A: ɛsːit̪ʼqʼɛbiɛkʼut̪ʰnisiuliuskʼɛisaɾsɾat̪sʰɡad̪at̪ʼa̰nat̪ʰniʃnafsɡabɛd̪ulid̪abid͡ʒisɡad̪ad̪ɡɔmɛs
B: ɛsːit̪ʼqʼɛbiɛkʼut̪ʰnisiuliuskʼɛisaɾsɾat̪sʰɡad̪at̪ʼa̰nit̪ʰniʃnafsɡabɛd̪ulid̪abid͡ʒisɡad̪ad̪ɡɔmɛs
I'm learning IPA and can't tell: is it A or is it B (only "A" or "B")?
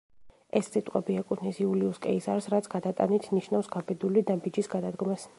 B